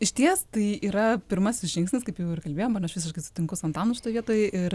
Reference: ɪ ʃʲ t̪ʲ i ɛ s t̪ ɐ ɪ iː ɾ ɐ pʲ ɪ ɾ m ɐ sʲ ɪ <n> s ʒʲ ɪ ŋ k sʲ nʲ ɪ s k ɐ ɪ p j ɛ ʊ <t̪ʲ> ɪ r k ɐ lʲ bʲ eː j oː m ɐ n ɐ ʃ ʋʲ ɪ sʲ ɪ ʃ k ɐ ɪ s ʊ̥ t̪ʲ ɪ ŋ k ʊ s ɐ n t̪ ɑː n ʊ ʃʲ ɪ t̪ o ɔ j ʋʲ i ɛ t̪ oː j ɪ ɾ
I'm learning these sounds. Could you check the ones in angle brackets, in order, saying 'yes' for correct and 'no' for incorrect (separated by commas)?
no, no